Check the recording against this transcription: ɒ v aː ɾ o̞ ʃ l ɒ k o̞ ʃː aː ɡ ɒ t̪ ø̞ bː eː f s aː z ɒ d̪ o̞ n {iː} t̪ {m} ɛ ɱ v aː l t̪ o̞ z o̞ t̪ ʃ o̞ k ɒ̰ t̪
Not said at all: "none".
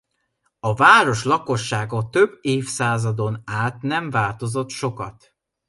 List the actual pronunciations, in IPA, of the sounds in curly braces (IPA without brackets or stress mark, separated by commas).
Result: aː, n